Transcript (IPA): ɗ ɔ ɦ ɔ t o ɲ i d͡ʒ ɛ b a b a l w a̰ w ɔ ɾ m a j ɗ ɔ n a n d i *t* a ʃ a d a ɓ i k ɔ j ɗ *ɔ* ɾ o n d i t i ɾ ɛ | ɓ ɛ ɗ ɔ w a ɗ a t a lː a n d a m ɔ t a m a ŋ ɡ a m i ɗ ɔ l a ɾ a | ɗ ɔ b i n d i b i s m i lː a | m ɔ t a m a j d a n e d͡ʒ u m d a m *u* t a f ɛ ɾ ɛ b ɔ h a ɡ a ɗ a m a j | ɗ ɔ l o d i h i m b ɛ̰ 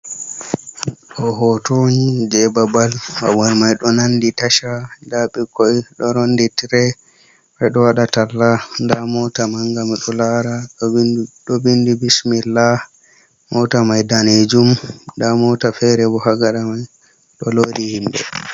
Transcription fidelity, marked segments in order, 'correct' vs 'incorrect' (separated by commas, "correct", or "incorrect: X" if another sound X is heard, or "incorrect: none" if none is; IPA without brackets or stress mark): correct, correct, incorrect: ɔ